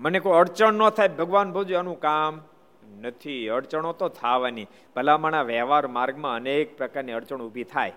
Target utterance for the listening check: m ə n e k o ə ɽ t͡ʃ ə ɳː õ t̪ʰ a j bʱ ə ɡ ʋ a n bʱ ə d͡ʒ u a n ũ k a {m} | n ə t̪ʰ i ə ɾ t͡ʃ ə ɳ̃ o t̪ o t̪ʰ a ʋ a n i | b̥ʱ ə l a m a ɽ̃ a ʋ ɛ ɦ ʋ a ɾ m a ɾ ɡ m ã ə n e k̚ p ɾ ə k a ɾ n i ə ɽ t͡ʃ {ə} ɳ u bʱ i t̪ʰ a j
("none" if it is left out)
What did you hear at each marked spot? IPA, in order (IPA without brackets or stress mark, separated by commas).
m, ə